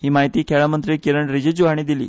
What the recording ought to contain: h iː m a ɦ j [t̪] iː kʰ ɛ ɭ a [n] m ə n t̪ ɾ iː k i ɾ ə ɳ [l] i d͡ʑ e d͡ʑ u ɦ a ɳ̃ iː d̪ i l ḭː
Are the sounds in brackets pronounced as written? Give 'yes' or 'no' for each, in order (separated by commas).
yes, no, no